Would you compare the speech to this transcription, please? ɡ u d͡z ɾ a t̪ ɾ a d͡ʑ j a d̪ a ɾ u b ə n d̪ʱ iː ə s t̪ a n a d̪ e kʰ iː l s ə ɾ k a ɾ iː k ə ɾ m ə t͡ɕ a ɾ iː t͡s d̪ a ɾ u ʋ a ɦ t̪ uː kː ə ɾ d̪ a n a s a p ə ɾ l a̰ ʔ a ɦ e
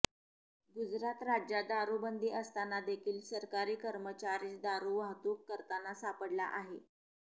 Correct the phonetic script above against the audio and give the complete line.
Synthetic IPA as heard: ɡ u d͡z ɾ a t̪ ɾ a d͡ʑ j a d̪ a ɾ u b ə n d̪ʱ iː ə s t̪ a n a d̪ e kʰ iː l s ə ɾ k a ɾ iː k ə ɾ m ə t͡ɕ a ɾ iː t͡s d̪ a ɾ u ʋ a ɦ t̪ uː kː ə ɾ t̪ a n a s a p ə ɽ l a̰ ʔ a ɦ e